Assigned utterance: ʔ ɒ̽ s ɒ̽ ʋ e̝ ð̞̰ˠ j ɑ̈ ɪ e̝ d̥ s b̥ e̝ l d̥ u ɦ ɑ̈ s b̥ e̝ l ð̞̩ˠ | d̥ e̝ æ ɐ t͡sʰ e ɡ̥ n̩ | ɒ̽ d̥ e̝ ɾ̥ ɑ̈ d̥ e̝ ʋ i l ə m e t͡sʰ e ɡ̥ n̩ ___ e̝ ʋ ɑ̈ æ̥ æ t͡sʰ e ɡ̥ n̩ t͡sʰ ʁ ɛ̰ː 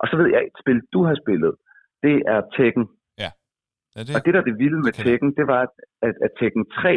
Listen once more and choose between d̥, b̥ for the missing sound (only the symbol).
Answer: d̥